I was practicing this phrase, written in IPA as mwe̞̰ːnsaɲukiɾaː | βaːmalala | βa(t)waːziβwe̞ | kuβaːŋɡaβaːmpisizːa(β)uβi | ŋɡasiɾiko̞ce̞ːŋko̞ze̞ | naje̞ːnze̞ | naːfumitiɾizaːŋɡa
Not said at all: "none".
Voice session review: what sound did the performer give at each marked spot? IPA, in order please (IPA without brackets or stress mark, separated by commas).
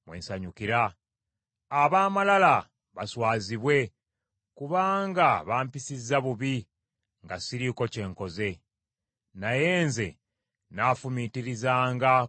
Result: s, β